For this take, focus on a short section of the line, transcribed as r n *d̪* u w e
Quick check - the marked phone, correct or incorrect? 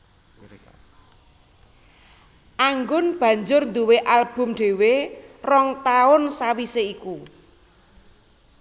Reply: correct